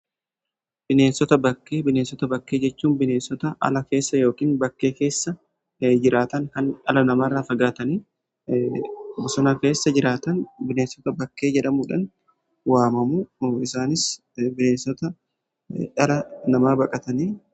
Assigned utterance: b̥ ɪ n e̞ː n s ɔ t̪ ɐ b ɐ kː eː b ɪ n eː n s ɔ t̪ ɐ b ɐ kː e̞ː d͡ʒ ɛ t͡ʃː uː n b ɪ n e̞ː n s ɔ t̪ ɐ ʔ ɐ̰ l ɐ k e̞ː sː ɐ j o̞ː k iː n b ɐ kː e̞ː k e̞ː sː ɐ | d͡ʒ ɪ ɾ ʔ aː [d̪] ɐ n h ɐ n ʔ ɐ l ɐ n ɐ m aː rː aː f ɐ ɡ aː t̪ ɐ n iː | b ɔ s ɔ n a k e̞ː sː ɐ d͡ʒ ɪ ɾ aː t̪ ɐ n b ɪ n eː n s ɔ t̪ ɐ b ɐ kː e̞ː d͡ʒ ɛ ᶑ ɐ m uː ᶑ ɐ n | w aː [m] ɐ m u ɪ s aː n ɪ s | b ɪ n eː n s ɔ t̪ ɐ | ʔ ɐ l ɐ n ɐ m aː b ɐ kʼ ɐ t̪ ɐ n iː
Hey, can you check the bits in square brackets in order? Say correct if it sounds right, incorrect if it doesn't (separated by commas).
incorrect, correct